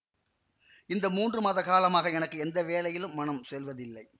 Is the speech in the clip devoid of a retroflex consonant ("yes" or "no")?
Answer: yes